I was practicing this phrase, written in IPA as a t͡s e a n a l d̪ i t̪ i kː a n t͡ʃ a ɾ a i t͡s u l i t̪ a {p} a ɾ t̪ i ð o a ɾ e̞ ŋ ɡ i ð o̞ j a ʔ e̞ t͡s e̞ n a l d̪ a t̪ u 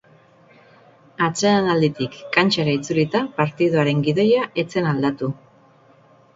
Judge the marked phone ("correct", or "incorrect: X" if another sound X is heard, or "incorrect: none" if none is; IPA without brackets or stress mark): correct